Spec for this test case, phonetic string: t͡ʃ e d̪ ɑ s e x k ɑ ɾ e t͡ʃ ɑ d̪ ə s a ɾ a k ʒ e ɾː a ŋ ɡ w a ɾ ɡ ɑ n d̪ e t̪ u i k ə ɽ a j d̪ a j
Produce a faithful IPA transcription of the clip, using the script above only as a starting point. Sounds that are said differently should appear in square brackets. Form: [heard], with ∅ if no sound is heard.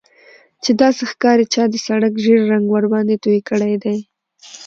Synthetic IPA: t͡ʃ e d̪ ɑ s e x k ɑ ɾ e t͡ʃ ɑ d̪ ə s a [ɽ] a k ʒ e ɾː a ŋ ɡ w a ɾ [b] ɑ n d̪ e t̪ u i k ə ɽ a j d̪ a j